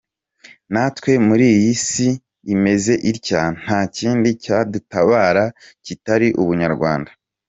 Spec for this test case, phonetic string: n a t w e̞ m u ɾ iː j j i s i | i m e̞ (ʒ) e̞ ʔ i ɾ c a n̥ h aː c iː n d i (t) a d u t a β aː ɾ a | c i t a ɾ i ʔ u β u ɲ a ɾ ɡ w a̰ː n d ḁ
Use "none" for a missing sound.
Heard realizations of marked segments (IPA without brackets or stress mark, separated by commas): z, c